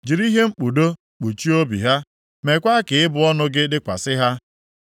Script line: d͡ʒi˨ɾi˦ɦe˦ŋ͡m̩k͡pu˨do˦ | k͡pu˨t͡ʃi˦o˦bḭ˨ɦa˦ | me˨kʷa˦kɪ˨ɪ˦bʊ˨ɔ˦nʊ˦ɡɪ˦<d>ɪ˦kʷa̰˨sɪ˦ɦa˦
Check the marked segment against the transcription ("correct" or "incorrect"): correct